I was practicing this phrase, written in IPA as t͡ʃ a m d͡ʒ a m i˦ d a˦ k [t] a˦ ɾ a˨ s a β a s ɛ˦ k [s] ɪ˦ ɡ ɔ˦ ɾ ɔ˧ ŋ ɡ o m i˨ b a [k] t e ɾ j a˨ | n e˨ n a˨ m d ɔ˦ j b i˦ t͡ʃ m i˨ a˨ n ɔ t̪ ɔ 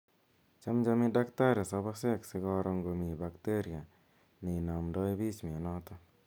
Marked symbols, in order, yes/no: yes, yes, yes

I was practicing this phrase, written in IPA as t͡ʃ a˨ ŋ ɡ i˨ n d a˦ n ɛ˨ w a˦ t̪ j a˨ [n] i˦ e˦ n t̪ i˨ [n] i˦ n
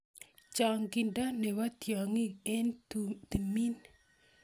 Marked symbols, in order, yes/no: no, no

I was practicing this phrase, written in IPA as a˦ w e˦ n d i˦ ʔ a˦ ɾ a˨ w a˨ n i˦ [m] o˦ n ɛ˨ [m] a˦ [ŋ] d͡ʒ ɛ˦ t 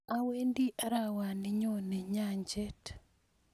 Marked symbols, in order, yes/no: no, no, no

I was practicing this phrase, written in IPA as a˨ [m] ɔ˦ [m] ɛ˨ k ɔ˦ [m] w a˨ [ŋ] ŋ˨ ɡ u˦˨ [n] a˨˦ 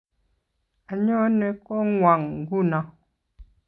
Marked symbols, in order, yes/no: no, no, no, yes, yes

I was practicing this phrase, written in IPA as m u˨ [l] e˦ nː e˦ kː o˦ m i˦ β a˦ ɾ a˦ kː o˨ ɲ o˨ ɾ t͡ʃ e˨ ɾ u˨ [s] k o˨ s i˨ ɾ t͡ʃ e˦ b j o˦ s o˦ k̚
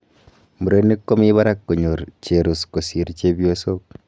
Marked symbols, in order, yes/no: no, yes

